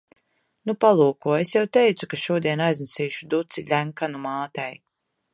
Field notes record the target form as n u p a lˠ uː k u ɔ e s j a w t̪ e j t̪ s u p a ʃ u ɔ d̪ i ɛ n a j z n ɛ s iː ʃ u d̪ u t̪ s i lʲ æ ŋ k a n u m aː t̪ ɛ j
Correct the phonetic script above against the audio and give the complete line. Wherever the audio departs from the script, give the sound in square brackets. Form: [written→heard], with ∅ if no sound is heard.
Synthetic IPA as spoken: n u p a lˠ uː k u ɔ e s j a w t̪ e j t̪ s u [p→k] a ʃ u ɔ d̪ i ɛ n a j z n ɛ s iː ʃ u d̪ u t̪ s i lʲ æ ŋ k a n u m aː t̪ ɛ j